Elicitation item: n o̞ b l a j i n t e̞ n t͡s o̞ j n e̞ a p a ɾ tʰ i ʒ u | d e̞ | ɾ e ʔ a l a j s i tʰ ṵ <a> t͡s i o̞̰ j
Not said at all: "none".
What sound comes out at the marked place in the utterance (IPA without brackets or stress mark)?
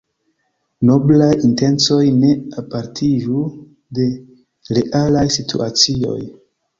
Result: a